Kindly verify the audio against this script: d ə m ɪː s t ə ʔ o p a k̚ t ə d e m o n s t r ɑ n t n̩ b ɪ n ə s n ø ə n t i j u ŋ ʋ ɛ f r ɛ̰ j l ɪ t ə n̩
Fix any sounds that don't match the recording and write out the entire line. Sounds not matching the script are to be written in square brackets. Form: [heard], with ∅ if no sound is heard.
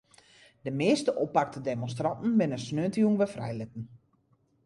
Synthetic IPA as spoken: d ə m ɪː s t ə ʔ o p a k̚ t ə d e m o n s t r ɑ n t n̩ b ɪ n ə s n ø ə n t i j u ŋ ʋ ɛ f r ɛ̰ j l ɪ t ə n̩